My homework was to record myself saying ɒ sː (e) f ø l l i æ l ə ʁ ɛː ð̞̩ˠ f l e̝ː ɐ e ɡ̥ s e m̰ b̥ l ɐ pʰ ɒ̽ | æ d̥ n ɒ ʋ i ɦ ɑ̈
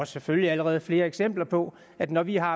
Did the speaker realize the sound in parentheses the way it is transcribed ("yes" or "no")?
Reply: yes